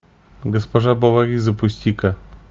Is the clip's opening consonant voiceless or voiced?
voiced